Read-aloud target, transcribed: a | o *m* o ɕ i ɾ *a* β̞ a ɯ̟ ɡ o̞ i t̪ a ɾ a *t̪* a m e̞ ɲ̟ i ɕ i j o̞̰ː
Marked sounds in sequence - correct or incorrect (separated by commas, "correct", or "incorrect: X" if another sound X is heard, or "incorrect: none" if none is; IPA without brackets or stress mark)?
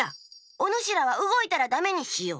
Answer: incorrect: n, correct, incorrect: d̪